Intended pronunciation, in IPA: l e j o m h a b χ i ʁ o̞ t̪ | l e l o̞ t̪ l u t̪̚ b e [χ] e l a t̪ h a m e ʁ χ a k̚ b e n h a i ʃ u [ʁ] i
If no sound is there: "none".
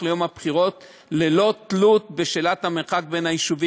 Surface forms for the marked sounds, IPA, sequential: ʃ, v

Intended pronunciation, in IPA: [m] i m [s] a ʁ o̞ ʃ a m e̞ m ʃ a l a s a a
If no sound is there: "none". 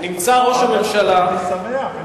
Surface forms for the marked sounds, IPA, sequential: n, t͡s

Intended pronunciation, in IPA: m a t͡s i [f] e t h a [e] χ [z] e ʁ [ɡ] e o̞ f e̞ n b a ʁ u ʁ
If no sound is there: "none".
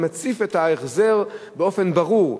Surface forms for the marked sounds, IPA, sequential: f, e, z, b

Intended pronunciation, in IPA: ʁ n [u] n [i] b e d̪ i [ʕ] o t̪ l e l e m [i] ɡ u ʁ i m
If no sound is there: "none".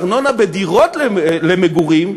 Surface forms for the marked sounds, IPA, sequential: o, a, ʁ, e

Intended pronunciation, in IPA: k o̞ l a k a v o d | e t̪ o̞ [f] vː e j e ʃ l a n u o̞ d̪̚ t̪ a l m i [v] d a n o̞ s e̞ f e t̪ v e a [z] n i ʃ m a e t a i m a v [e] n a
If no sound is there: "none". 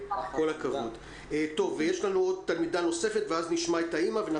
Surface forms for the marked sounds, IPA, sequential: none, none, z, e

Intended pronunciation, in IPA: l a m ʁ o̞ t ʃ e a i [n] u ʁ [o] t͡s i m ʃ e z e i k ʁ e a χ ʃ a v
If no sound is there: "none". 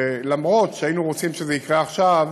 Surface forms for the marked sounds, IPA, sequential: n, o

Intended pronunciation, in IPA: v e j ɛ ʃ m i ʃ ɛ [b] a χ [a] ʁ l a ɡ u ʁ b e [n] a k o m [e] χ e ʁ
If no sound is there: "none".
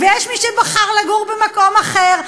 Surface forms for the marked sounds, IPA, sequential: b, a, m, a

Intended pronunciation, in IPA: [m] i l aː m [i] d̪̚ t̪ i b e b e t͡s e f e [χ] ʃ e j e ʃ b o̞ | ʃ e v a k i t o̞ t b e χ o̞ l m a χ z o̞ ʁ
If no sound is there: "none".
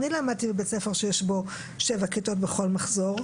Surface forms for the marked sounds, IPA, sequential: n, a, ʁ

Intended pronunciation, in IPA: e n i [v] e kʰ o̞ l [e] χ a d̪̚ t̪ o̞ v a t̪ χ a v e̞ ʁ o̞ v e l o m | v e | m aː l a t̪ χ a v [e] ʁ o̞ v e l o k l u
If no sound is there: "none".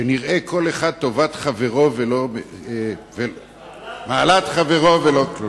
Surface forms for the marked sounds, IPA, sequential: ʁ, e, e

